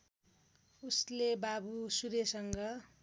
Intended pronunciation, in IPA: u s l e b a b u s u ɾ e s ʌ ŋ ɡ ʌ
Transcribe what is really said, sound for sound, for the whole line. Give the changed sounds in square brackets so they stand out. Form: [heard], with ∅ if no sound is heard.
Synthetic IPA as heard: u s l e b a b u s u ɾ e s ʌ ŋ ɡ ʌ